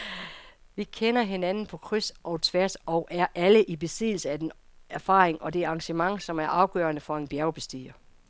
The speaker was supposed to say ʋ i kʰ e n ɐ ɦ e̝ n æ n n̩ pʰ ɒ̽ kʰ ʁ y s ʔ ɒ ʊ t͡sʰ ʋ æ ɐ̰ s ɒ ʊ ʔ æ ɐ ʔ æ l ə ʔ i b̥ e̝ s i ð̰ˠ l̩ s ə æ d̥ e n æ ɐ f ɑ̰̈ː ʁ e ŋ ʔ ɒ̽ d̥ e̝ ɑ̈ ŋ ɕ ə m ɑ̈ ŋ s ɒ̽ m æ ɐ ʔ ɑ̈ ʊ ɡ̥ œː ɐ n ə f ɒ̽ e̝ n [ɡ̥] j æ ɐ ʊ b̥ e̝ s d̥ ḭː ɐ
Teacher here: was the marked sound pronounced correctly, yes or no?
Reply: no